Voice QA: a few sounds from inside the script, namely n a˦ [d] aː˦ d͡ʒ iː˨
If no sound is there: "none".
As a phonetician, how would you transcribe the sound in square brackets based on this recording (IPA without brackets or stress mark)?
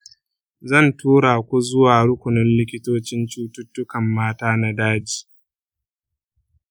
d